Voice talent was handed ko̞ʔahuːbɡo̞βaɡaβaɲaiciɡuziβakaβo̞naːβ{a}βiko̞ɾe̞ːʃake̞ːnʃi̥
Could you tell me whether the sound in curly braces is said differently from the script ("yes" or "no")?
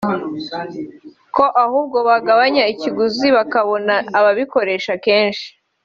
no